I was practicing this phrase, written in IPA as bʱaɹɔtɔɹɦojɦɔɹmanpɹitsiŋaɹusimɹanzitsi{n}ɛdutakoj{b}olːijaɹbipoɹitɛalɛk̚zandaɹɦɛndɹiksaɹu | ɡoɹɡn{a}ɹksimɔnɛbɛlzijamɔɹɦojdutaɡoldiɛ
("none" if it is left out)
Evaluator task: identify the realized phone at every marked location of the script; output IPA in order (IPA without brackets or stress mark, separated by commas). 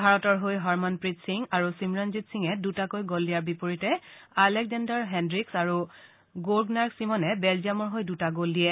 ŋ, ɡ, a